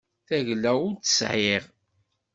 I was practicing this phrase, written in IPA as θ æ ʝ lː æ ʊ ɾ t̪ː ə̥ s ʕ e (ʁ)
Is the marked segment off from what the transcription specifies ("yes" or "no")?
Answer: no